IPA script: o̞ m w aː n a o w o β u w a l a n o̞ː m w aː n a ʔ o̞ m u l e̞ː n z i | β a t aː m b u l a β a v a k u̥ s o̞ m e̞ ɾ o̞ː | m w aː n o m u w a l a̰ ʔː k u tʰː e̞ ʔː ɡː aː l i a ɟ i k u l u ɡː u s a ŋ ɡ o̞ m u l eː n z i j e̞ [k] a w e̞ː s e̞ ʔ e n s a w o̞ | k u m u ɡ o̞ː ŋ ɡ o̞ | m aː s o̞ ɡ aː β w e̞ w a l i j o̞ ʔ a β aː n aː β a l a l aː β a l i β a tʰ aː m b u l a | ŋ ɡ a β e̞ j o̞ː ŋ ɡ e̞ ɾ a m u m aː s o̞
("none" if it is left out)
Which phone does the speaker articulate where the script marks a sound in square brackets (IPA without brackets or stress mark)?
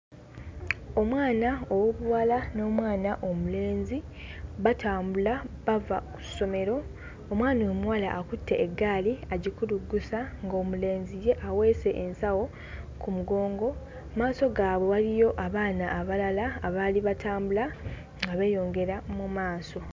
ʔ